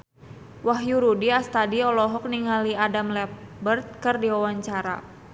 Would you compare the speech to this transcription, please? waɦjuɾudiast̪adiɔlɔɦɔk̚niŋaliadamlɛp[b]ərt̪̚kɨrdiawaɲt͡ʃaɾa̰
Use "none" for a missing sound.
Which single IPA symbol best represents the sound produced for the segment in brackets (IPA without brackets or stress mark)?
b